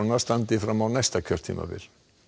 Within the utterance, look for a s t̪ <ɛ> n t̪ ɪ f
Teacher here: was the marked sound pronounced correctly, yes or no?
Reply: no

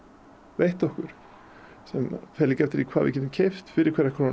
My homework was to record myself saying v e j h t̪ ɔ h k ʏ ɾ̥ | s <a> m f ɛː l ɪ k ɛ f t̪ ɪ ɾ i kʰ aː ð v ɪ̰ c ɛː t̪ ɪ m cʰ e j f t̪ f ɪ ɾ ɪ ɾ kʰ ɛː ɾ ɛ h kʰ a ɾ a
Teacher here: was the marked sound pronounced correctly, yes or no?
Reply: no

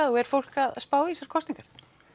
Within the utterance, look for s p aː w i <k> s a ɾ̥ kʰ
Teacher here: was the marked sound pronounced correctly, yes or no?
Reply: no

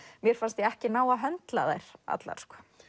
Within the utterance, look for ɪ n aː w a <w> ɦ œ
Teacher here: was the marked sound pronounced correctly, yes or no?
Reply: no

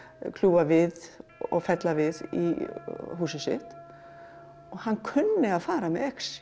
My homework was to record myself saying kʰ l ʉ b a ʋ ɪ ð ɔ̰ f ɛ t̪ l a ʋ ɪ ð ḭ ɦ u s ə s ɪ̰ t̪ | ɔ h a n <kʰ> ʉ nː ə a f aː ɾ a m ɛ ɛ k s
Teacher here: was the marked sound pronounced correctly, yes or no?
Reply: yes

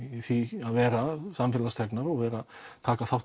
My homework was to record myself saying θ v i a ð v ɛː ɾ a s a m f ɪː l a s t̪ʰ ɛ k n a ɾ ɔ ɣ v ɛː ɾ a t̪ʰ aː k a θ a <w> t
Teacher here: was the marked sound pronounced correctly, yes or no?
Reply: yes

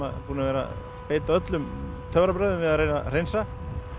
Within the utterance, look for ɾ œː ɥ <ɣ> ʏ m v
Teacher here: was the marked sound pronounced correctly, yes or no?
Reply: no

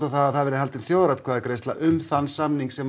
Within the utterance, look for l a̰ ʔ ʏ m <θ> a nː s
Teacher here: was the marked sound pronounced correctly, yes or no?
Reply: yes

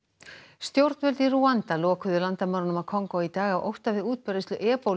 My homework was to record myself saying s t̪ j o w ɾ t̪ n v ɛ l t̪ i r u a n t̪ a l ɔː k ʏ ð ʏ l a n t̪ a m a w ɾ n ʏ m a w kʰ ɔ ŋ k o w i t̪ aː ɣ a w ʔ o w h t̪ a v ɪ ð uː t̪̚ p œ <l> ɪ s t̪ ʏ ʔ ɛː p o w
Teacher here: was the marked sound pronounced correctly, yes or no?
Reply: no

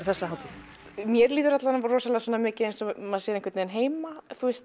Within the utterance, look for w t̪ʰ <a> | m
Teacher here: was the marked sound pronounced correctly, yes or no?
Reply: no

